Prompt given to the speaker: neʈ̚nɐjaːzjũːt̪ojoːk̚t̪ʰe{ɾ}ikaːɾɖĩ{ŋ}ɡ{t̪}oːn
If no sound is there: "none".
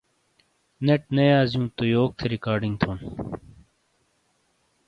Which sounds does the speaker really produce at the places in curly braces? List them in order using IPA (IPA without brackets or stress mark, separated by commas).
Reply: ɾ, ŋ, t̪ʰ